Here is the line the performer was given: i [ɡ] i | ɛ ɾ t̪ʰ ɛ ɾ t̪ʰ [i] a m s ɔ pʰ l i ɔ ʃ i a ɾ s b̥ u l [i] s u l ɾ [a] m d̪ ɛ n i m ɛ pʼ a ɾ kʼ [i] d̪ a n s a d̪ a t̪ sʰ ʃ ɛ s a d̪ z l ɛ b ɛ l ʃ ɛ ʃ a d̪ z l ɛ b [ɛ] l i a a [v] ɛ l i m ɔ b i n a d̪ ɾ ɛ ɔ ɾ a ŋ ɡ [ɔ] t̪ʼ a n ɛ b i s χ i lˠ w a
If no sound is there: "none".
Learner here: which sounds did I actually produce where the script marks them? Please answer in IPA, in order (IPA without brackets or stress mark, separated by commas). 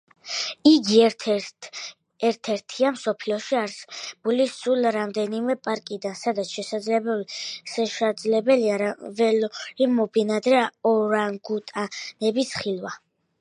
ɡ, i, i, a, i, ɛ, v, u